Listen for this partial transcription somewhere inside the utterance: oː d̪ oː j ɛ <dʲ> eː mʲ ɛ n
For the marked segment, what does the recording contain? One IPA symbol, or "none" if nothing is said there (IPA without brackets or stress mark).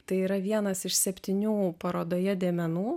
dʲ